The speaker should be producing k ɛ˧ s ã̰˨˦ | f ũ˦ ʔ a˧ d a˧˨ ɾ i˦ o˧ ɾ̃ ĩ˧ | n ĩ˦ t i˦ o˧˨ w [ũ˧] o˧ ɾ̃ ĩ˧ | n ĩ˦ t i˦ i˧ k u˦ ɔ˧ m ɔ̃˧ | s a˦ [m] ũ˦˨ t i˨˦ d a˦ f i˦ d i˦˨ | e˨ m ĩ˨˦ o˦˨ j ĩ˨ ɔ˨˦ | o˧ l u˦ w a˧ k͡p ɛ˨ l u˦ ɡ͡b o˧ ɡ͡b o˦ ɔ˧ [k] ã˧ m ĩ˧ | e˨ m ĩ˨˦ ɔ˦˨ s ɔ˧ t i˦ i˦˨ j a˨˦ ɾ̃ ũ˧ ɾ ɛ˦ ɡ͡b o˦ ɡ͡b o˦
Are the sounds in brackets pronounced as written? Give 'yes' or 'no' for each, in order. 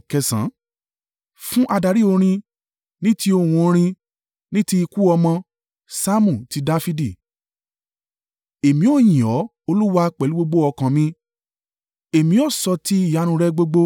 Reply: yes, yes, yes

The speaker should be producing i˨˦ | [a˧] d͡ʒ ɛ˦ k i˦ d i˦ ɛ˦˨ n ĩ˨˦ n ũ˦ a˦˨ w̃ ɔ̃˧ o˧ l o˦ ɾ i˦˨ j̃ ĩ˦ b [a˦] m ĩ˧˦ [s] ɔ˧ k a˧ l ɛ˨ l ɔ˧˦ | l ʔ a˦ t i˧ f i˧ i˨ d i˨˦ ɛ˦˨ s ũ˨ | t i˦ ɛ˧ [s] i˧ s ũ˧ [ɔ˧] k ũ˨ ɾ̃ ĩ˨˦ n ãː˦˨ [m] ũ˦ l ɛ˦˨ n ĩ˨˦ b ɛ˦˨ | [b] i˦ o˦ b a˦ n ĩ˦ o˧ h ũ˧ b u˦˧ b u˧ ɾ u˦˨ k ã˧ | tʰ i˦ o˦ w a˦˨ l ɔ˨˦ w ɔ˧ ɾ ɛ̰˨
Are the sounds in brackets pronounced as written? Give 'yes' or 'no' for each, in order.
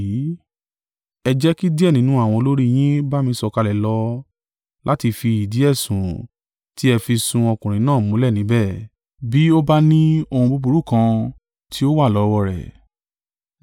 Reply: no, yes, yes, no, yes, yes, yes

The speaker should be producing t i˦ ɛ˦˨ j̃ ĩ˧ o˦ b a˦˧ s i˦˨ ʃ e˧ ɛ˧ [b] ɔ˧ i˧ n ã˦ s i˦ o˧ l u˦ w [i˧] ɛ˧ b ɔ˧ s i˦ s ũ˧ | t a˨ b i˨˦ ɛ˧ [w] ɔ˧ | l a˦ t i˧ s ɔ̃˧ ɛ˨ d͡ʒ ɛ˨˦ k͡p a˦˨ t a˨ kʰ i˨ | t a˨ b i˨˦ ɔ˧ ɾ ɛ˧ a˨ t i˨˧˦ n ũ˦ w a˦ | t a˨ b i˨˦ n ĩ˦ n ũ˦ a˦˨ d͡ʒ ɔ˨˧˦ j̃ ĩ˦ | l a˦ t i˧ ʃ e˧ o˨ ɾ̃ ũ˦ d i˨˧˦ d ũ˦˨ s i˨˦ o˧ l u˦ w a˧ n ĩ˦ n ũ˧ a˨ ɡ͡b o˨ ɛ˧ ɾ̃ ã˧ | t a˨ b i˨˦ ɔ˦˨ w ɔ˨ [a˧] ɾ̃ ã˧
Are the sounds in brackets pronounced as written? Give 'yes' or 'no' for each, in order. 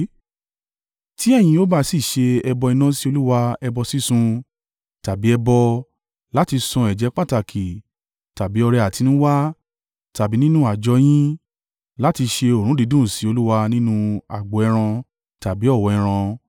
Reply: yes, no, no, no

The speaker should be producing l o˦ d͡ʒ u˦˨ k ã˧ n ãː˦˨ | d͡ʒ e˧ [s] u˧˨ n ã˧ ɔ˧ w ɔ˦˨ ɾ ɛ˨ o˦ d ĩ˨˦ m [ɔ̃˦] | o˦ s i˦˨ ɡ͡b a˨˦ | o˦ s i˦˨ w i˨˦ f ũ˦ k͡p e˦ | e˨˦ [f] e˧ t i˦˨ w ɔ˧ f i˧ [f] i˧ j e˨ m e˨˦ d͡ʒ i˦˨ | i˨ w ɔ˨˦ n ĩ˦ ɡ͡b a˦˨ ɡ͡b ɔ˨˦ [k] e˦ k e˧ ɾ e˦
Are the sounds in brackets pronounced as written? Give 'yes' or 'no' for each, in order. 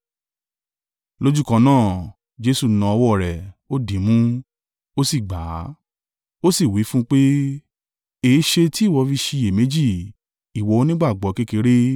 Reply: yes, no, no, no, yes

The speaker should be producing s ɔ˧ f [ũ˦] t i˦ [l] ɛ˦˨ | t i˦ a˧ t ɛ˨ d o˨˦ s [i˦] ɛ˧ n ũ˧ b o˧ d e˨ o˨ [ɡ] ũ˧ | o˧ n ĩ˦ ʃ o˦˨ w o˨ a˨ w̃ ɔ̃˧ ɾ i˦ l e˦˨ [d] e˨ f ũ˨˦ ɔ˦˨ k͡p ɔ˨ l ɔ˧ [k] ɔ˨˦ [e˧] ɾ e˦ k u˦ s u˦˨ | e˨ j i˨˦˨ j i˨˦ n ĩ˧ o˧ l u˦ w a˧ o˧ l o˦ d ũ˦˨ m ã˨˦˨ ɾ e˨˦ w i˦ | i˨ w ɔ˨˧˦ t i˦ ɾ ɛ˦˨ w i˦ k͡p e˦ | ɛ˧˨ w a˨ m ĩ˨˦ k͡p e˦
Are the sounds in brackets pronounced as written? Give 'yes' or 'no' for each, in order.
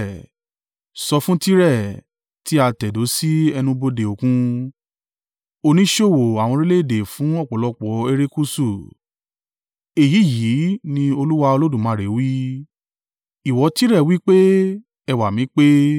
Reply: yes, no, yes, no, yes, no, yes

